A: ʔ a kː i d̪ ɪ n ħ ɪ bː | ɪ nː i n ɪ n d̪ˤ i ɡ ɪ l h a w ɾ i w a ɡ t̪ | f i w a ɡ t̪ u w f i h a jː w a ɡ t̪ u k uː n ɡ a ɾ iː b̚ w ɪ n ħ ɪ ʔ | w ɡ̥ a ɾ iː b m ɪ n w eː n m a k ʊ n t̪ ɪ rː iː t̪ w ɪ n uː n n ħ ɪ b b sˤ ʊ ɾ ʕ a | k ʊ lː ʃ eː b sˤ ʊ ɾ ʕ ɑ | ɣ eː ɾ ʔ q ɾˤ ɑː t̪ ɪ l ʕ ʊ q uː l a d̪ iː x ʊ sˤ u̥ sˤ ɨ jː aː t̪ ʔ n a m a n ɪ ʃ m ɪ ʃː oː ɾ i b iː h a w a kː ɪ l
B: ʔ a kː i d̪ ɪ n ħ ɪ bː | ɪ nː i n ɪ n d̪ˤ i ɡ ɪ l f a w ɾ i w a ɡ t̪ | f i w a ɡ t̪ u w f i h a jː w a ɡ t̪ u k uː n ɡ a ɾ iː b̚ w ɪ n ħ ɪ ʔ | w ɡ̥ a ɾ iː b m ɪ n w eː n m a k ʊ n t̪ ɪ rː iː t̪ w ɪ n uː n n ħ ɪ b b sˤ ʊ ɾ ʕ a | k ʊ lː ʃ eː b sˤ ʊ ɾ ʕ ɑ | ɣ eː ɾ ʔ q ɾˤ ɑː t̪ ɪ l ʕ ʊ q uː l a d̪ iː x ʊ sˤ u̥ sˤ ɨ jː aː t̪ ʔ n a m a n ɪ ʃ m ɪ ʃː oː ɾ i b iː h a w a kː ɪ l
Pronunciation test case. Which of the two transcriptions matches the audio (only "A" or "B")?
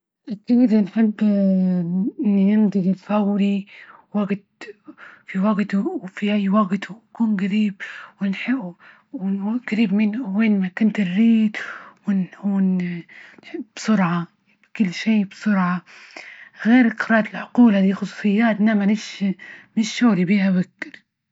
B